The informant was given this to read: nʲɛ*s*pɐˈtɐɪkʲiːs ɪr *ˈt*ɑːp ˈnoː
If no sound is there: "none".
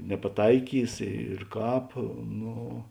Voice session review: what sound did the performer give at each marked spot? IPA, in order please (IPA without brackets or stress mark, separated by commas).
none, k